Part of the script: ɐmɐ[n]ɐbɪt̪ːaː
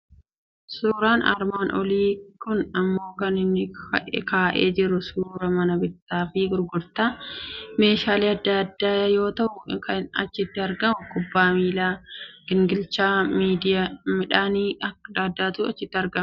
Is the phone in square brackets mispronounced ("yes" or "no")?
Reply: no